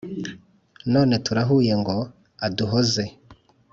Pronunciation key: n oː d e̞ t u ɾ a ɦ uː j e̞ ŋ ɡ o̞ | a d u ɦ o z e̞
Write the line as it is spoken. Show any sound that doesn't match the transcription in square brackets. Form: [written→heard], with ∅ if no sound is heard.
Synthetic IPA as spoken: n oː [d→n] e̞ t u ɾ a ɦ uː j e̞ ŋ ɡ o̞ | a d u ɦ o z e̞